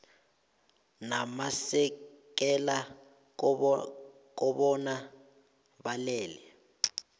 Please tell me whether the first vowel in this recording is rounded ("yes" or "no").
no